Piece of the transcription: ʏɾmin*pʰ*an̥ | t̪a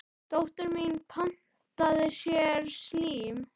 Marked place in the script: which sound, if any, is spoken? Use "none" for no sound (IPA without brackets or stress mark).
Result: pʰ